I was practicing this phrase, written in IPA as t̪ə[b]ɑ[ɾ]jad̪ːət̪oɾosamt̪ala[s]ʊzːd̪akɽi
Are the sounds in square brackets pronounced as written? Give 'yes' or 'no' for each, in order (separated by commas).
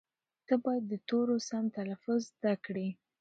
yes, no, no